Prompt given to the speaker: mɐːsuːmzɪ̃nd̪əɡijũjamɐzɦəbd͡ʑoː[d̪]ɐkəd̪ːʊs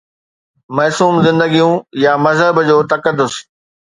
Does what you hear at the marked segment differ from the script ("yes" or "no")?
yes